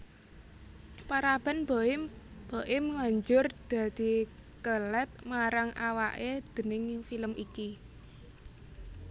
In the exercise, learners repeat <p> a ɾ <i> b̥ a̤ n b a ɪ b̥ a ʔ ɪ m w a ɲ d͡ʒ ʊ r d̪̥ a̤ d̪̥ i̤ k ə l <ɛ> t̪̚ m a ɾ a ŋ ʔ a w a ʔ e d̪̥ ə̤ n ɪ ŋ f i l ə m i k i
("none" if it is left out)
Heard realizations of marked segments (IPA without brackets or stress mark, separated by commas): p, a, ɛ